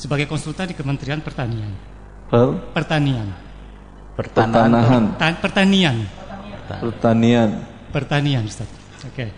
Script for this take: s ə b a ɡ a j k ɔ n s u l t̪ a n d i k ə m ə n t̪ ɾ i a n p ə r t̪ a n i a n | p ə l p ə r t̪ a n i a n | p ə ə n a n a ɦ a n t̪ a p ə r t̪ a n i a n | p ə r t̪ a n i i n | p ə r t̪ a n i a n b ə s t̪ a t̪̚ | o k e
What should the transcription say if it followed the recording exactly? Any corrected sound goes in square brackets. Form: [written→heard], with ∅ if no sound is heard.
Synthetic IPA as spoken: s ə b a ɡ a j k ɔ n s u l t̪ a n d i k ə m ə n t̪ ɾ i a n p ə r t̪ a n i a n | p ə l p ə r t̪ a n i a n | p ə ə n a n a ɦ a n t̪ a p ə r t̪ a n i a n | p ə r t̪ a n i [i→a] n | p ə r t̪ a n i a n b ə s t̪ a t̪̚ | o k e